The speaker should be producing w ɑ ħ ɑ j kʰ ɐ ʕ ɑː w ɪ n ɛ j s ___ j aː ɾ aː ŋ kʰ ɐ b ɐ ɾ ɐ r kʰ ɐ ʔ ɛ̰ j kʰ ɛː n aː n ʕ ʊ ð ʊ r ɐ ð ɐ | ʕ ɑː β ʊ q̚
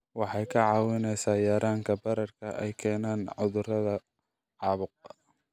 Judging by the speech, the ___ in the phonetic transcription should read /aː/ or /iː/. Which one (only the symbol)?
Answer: aː